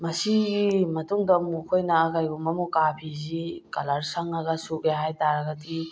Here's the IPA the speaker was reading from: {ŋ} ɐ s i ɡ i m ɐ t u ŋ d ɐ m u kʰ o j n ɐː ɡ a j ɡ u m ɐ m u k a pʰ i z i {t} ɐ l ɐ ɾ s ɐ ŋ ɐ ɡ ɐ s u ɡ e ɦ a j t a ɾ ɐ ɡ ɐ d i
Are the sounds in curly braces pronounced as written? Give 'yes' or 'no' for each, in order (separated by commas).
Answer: no, no